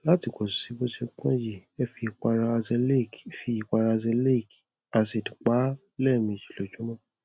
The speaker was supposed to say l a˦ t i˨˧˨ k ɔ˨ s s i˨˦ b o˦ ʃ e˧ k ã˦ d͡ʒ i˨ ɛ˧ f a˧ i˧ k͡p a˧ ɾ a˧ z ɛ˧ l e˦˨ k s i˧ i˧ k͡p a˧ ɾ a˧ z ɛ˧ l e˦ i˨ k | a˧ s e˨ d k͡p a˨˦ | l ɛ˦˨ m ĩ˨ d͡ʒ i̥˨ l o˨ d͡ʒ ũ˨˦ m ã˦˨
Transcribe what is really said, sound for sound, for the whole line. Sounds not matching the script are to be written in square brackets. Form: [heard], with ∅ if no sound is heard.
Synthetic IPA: l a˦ t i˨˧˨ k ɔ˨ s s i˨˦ b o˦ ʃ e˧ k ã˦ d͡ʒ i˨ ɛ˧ f [i˧] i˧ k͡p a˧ ɾ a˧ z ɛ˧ l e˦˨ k [f] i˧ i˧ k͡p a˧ ɾ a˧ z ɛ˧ l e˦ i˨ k | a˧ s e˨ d k͡p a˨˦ | l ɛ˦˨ m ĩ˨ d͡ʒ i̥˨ l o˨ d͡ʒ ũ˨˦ m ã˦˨